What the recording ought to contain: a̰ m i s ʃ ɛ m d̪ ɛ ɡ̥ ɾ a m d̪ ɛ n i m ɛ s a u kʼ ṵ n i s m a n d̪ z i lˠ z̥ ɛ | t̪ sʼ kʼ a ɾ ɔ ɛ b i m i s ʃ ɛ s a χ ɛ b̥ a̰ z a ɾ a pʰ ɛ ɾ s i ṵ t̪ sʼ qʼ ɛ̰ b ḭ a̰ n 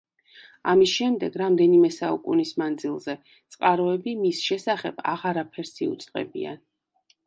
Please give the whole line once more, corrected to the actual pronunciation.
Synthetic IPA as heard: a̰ m i s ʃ ɛ m d̪ ɛ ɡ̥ ɾ a m d̪ ɛ n i m ɛ s a u kʼ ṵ n i s m a n d̪ z i lˠ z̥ ɛ | t̪ sʼ qʼ a ɾ ɔ ɛ b i m i s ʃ ɛ s a χ ɛ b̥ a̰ ʁ a ɾ a pʰ ɛ ɾ s i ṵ t̪ sʼ qʼ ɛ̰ b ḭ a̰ n